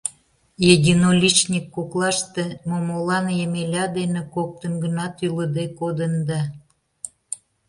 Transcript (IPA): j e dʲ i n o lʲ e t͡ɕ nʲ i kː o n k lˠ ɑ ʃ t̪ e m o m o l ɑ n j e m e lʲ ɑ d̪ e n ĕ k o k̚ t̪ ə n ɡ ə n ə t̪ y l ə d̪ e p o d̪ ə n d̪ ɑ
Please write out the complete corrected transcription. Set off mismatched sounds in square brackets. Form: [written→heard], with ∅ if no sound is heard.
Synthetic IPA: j e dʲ i n o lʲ [e→i] t͡ɕ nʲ i kː o [n→∅] k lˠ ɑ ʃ t̪ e m o m o l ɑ n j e m e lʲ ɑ d̪ e n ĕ k o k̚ t̪ ə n ɡ ə n [ə→ɑ] t̪ y l ə d̪ e [p→k] o d̪ ə n d̪ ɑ